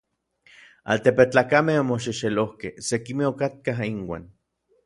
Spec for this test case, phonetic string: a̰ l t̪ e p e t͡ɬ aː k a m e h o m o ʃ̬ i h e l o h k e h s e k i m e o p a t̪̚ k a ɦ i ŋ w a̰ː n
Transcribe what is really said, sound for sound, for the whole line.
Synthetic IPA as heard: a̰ l t̪ e p e t͡ɬ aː k a m e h o m o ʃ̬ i ʃ e l o h k e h s e k i m e o k a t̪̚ k a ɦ i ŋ w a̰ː n